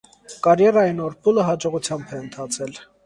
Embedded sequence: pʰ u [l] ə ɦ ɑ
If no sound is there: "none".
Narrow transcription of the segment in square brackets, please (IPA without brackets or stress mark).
l